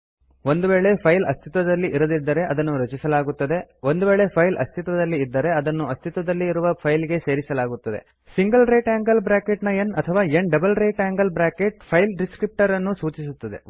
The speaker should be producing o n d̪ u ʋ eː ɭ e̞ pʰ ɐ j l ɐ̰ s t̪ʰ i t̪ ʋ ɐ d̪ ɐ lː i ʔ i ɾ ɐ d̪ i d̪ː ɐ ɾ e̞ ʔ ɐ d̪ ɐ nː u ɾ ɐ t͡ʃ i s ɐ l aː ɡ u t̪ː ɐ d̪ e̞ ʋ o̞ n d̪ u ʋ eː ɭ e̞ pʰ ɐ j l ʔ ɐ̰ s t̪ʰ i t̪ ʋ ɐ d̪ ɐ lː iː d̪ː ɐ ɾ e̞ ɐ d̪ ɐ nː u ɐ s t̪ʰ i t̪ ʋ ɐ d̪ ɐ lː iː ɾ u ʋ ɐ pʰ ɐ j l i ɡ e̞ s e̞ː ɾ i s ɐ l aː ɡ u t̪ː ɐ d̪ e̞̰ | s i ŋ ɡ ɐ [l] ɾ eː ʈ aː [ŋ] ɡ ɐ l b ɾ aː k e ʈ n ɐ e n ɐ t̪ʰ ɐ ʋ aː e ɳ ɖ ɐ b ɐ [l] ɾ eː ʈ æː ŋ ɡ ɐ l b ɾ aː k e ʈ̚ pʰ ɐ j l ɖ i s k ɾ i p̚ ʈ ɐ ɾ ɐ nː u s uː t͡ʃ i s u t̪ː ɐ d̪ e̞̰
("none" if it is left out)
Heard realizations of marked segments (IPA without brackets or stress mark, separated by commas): l, ŋ, l